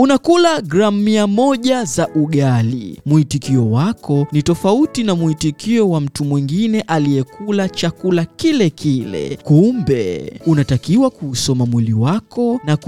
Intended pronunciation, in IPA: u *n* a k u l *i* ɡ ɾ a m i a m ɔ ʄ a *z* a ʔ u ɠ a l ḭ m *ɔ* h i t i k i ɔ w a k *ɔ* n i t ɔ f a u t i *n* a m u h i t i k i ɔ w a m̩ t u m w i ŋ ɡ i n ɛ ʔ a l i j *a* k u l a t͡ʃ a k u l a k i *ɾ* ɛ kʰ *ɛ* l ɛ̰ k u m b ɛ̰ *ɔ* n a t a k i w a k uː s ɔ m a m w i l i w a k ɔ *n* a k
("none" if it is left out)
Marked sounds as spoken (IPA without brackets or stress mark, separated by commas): n, a, z, u, ɔ, n, ɛ, l, i, u, n